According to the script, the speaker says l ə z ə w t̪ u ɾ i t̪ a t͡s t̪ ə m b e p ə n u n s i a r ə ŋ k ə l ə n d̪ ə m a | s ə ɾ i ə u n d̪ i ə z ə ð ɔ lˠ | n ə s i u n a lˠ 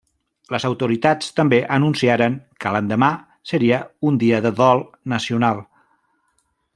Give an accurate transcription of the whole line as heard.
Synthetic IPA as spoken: l ə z ə w t̪ u ɾ i t̪ a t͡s t̪ ə m b e ʔ ə n u n s i a ɾ ə ŋ k ə l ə n d̪ ə m a | s ə ɾ i ə u n d̪ i ə ð ə ð ɔ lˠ | n ə s i u n a lˠ